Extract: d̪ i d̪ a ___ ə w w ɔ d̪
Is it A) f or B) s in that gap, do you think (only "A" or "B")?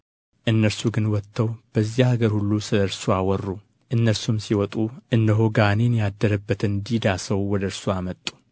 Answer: B